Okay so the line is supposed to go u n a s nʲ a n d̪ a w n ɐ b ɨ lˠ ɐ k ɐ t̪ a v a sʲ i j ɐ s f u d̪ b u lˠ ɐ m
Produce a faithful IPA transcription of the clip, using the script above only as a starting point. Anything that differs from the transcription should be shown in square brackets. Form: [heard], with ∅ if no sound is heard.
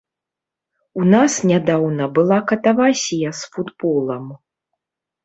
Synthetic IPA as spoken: u n a s nʲ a [∅] d̪ a w n ɐ b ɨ lˠ [a] k ɐ t̪ a v a sʲ i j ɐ s f u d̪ b [ɔ] lˠ ɐ m